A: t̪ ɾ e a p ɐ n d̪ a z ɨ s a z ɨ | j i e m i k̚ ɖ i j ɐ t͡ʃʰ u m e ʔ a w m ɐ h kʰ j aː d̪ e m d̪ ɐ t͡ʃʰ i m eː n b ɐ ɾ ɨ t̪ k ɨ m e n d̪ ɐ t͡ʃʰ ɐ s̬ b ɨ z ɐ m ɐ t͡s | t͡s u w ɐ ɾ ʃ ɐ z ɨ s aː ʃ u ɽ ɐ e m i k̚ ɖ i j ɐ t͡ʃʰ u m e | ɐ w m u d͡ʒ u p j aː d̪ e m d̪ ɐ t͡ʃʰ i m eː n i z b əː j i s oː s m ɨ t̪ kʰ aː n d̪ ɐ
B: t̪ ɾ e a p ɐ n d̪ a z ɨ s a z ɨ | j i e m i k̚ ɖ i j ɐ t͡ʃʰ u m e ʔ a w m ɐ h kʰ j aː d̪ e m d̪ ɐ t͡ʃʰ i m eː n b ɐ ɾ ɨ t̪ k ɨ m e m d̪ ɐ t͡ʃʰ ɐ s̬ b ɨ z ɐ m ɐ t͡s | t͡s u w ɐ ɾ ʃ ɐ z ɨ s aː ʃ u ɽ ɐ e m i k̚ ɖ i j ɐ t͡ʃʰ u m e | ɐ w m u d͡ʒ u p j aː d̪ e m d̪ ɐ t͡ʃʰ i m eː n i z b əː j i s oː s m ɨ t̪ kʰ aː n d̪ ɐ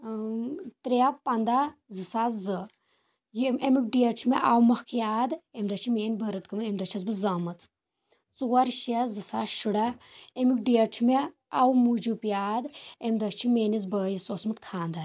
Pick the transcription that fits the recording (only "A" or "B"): B